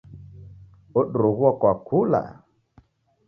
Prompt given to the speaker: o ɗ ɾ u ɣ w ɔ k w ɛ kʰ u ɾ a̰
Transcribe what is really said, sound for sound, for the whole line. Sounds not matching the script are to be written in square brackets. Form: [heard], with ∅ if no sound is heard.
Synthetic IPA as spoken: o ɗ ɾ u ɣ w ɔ k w [a] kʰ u [l] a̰